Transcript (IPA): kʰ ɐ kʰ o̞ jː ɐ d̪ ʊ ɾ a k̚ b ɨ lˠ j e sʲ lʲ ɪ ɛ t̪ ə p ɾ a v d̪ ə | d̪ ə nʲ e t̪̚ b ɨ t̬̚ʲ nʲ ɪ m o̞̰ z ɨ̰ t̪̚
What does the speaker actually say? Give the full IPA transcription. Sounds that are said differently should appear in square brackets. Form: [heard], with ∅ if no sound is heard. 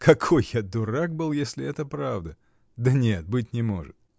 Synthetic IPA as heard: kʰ ɐ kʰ o̞ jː [a] d̪ ʊ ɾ a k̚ b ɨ lˠ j e sʲ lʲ ɪ ɛ t̪ ə p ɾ a v d̪ ə | d̪ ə nʲ e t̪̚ b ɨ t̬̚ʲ nʲ ɪ m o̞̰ [ʐ] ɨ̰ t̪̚